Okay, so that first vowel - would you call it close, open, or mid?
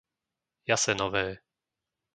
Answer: open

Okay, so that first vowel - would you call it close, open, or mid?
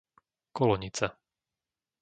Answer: mid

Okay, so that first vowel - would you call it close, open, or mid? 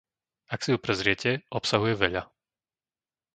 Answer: open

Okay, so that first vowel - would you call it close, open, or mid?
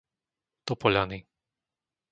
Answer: mid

